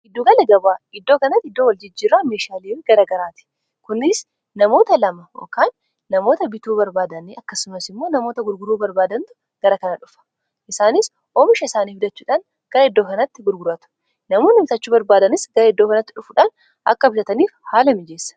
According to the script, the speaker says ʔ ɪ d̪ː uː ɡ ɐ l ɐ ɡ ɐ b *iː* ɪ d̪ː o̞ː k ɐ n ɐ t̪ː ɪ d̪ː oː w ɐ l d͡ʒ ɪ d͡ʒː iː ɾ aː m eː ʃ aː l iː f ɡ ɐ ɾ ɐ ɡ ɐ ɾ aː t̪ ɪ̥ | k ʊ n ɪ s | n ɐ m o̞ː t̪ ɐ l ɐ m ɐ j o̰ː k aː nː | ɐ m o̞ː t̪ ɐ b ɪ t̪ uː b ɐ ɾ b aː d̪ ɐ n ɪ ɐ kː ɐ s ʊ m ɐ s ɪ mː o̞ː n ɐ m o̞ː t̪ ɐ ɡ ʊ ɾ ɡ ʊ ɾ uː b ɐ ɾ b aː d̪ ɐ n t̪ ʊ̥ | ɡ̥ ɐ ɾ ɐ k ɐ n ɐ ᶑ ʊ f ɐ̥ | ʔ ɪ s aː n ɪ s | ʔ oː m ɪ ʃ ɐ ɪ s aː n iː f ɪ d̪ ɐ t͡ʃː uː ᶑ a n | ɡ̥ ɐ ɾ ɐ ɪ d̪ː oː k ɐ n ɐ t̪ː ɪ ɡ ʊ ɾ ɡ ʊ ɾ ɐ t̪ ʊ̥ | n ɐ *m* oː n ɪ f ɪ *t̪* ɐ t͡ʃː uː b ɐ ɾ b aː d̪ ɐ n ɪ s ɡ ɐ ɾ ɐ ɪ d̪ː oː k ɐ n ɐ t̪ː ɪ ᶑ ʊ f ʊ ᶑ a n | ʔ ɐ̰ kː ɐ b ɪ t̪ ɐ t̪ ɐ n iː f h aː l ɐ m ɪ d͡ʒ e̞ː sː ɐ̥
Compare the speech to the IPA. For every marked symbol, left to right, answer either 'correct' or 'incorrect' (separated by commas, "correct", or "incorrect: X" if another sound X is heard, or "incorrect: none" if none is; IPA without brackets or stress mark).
incorrect: aː, correct, correct